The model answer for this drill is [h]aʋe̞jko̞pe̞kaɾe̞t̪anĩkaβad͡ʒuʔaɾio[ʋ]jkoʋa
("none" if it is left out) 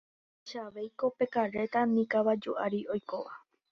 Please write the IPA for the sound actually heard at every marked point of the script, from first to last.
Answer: ʃ, none

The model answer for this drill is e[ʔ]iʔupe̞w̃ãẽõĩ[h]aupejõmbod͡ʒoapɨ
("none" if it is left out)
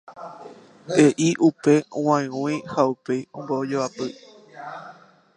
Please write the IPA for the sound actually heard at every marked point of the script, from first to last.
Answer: ʔ, h

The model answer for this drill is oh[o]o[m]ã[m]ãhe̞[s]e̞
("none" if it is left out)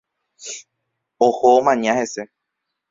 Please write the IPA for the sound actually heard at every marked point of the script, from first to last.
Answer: o, m, ɲ, s

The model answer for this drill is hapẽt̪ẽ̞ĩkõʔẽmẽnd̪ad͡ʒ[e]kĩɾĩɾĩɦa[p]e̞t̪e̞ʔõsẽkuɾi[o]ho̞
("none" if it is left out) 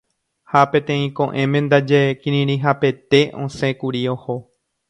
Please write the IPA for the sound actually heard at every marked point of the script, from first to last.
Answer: e, p, o

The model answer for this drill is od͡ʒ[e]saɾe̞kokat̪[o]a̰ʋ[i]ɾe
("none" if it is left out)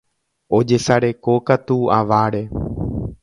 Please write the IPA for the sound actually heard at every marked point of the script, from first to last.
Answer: e, u, a

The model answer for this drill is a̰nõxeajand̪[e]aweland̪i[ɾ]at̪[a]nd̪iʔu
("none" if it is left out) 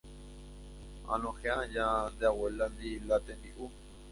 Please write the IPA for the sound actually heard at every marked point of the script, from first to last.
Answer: e, l, e

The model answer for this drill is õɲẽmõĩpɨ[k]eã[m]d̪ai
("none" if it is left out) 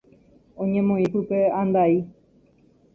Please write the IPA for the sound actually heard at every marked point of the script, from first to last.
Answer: p, n

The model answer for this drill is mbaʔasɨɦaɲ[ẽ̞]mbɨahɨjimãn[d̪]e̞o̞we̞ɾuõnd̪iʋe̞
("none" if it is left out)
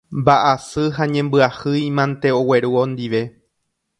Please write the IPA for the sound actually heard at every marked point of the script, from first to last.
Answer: ẽ̞, t̪

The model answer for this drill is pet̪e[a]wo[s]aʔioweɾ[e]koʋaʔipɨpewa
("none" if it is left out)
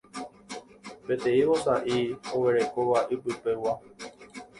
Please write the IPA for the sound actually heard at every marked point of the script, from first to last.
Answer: i, s, e

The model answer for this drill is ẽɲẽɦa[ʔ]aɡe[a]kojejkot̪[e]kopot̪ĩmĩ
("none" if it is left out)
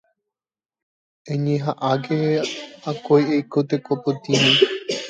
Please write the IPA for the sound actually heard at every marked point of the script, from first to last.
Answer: ʔ, a, e

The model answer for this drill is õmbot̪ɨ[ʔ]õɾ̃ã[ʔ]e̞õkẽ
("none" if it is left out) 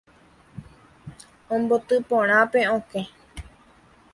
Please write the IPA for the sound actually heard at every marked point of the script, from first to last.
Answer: p, p

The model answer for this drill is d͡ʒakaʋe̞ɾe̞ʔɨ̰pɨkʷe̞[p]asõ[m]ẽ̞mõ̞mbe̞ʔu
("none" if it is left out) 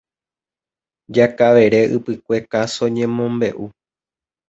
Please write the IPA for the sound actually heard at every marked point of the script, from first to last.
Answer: k, ɲ

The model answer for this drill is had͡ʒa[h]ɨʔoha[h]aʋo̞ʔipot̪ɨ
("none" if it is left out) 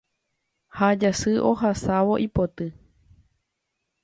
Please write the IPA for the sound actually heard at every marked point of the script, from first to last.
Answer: s, s

